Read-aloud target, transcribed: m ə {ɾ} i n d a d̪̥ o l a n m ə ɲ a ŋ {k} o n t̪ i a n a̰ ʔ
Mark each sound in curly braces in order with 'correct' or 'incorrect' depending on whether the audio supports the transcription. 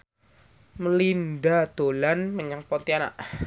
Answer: incorrect: l, incorrect: p

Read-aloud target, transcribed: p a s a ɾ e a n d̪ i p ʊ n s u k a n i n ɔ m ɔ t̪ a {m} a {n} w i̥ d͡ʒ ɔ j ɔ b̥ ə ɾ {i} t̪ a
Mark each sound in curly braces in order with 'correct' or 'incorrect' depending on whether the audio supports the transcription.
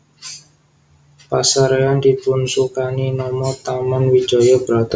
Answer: correct, correct, incorrect: a

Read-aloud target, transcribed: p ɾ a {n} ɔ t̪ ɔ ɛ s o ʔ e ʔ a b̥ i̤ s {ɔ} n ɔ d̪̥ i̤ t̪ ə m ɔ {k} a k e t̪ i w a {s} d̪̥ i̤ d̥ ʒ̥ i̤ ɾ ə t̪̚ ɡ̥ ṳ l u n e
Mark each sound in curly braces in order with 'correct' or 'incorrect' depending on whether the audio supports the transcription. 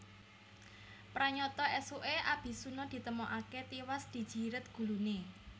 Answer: incorrect: ɲ, incorrect: u, incorrect: ʔ, correct

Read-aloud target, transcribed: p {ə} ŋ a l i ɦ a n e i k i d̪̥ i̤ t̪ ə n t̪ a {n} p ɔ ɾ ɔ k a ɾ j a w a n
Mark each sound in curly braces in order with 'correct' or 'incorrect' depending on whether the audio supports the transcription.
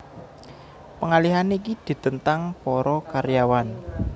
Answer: correct, incorrect: ŋ

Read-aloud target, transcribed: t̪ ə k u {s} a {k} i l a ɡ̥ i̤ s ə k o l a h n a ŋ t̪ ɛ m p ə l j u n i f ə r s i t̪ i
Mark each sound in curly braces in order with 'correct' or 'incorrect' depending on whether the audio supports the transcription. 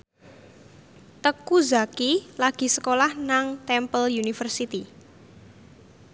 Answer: incorrect: z, correct

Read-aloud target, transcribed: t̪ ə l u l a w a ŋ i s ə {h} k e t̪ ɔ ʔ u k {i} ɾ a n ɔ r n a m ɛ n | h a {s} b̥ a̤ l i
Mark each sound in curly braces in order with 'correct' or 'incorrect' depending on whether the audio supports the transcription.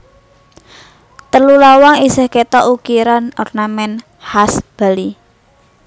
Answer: correct, correct, correct

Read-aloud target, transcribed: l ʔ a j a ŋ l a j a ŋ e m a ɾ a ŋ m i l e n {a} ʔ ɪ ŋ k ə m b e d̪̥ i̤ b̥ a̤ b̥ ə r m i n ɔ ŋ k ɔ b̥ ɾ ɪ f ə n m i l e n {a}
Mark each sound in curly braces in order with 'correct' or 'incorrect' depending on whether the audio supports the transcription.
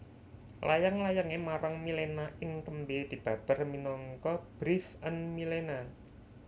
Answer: correct, correct

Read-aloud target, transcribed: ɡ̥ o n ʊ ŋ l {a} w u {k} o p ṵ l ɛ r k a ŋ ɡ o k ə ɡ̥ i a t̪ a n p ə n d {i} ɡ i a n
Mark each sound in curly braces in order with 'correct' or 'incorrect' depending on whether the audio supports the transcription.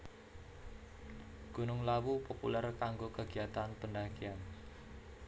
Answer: correct, incorrect: p, incorrect: a

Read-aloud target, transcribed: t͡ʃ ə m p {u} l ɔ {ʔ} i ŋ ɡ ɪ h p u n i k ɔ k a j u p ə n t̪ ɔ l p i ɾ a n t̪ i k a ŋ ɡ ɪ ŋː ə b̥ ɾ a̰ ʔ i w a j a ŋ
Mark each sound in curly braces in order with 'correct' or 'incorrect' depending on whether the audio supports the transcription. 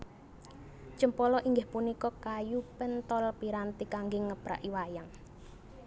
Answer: incorrect: ɔ, correct

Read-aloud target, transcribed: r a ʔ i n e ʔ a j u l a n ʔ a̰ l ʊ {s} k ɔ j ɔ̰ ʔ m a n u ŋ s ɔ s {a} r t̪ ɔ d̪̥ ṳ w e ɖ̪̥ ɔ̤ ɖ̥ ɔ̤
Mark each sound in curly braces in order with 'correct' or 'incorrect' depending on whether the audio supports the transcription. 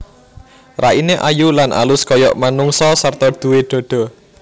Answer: correct, correct

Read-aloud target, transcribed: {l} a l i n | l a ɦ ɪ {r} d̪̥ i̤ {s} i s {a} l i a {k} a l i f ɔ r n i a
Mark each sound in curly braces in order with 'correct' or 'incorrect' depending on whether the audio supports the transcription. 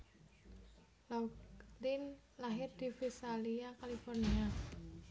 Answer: correct, correct, incorrect: f, correct, correct

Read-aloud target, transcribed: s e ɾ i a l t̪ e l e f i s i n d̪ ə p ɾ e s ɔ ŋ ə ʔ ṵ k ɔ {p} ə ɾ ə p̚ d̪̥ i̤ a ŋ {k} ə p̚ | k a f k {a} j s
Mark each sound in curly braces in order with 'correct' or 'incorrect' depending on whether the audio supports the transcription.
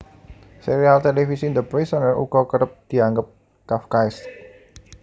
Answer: incorrect: k, incorrect: ɡ, correct

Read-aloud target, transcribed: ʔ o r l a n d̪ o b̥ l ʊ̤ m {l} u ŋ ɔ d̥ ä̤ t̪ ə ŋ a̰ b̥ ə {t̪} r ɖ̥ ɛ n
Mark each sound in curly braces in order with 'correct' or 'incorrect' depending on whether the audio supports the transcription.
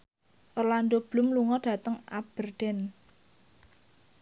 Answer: correct, incorrect: none

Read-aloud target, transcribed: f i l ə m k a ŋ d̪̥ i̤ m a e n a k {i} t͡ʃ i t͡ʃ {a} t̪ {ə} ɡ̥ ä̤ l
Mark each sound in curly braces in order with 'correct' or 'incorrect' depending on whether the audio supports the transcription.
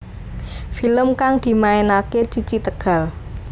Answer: incorrect: e, incorrect: i, correct

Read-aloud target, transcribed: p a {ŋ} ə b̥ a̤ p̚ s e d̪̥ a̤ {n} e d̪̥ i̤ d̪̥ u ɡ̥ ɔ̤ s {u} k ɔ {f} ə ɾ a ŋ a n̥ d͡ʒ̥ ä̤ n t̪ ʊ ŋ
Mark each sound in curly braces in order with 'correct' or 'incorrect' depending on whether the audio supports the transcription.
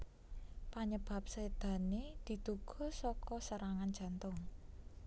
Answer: incorrect: ɲ, correct, incorrect: ɔ, incorrect: s

